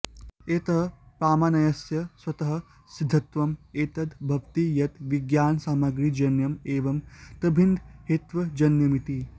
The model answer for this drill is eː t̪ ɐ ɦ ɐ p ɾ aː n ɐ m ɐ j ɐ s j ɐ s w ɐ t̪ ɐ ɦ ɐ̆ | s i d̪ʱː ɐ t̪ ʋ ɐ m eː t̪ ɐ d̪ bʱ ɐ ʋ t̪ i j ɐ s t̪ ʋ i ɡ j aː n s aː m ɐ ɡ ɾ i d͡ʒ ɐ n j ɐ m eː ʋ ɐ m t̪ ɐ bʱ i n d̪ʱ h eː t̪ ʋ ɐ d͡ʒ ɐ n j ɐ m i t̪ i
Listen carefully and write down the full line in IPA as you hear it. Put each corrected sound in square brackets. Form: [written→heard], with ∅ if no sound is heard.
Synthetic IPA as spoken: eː t̪ ɐ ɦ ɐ p ɾ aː [n→m] ɐ [m→n] ɐ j ɐ s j ɐ s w ɐ t̪ ɐ ɦ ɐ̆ | s i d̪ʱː ɐ t̪ ʋ ɐ m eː t̪ ɐ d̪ bʱ ɐ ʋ t̪ i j ɐ [s→∅] t̪ ʋ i ɡ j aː n s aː m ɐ ɡ ɾ i d͡ʒ ɐ n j ɐ m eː ʋ ɐ m t̪ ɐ bʱ i n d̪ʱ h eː t̪ ʋ ɐ d͡ʒ ɐ n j ɐ m i t̪ i